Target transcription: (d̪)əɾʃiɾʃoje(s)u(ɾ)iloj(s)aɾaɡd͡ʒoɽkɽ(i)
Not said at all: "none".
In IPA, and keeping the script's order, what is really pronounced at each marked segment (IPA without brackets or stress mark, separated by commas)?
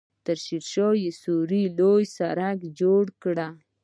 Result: t̪, s, ɾ, s, a